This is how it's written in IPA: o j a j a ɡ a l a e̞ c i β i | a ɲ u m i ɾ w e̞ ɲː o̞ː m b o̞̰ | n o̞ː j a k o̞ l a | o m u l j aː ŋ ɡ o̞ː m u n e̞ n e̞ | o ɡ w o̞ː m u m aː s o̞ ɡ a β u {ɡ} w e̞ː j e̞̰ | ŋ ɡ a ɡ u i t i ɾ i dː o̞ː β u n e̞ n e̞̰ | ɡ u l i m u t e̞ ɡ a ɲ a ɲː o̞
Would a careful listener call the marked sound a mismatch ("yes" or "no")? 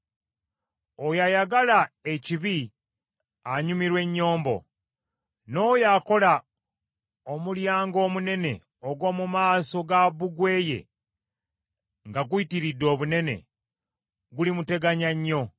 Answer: no